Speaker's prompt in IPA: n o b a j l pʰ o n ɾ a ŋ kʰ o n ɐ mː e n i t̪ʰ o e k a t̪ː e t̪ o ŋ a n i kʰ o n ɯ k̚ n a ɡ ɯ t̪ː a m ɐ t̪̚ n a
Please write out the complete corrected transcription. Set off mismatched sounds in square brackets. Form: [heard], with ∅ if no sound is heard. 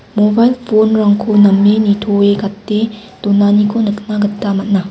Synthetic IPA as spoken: [m] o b a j l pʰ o n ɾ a ŋ kʰ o n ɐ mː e n i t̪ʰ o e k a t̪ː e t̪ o [n] a n i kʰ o n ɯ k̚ n a ɡ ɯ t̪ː a m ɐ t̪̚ n a

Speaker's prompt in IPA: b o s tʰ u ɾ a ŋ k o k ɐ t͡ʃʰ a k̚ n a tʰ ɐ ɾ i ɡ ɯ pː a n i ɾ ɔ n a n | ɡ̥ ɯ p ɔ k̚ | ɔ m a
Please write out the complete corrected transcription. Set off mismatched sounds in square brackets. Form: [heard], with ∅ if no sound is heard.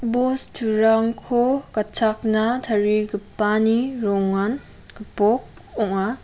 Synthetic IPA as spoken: b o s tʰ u ɾ a ŋ [kʰ] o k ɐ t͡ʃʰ a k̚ n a tʰ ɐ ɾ i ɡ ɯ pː a n i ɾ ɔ [ŋ] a n | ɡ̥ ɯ p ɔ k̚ | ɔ [ŋ] a

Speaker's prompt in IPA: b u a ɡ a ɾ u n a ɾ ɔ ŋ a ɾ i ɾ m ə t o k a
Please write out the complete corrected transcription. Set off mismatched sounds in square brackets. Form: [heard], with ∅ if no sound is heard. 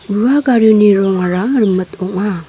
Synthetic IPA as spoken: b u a ɡ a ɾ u n [i] ɾ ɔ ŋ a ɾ [a] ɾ m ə t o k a

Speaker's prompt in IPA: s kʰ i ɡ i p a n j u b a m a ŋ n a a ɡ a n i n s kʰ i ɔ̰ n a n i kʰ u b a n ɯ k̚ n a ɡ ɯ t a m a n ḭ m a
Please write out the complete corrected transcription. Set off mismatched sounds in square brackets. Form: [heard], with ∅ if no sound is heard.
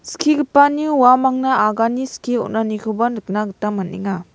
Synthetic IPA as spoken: s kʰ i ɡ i p a n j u [w] a m a ŋ n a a ɡ a n i [∅] s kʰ i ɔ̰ n a n i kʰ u b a n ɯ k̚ n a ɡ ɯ t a m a n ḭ [ŋ] a

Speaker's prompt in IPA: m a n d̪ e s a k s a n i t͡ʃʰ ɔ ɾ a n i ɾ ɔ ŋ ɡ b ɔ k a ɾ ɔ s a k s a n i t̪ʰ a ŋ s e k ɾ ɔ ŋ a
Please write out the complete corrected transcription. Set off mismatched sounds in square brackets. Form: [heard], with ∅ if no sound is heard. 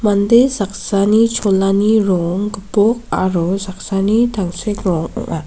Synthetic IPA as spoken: m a n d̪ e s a k s a n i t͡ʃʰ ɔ [l] a n i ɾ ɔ ŋ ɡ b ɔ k a ɾ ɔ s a k s a n i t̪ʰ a ŋ s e k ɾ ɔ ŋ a

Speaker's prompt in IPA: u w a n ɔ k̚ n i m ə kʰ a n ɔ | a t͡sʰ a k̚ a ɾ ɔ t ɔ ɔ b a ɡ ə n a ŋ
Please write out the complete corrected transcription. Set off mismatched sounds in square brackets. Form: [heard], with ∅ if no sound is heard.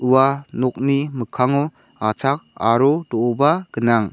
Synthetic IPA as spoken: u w a n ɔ k̚ n i m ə kʰ a [ŋ] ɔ | a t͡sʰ a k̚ a ɾ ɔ [d] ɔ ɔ b a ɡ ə n a ŋ

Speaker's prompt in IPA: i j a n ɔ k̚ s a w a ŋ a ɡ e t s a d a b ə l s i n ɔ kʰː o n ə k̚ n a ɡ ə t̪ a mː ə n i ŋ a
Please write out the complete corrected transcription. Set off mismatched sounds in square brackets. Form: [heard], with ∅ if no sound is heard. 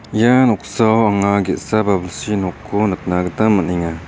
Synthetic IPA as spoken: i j a n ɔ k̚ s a w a ŋ a ɡ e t s a [b] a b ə l s i n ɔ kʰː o n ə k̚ n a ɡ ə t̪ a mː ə n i ŋ a

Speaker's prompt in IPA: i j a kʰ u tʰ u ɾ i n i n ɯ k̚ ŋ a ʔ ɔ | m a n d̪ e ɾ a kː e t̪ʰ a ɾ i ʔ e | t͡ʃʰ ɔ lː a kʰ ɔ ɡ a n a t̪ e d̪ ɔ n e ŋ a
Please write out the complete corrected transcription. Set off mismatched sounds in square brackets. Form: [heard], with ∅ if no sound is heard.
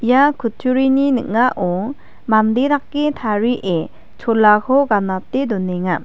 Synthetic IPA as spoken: i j a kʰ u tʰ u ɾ i n i n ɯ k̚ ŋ a ʔ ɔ | m a n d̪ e ɾ a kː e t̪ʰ a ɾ i ʔ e | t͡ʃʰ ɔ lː a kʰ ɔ ɡ a n a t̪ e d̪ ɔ n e ŋ a

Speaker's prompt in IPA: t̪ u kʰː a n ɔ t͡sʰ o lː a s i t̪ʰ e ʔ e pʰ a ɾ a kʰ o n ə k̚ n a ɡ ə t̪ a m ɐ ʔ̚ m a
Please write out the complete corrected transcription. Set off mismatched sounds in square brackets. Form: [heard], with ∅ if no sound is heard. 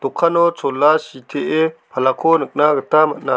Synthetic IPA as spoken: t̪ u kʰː a n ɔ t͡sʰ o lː a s i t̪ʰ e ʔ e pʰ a [l] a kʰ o n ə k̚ n a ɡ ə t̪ a m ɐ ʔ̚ [n] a

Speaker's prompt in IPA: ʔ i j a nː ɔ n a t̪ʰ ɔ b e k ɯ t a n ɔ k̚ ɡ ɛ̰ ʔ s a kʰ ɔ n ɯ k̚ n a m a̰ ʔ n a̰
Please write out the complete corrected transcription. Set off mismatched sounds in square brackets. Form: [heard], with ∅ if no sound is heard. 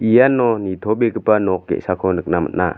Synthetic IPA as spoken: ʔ i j a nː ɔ n [i] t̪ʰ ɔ b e k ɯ [p] a n ɔ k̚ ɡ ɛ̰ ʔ s a kʰ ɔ n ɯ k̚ n a m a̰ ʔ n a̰

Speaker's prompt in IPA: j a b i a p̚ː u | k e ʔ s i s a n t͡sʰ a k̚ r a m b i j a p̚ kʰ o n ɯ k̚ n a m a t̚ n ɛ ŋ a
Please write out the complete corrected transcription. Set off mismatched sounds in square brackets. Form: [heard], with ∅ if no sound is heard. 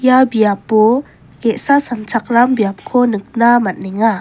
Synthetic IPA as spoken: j a b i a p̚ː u | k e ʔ s [a] s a n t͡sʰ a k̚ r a m b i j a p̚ kʰ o n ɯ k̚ n a m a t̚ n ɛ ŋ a

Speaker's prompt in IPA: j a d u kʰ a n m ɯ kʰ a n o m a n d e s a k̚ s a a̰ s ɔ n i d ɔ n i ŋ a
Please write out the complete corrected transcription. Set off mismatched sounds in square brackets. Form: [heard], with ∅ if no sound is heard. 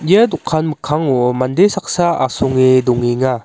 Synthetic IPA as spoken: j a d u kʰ a n m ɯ kʰ a [ŋ] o m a n d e s a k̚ s a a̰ s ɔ [ŋ] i d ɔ [ŋ] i ŋ a

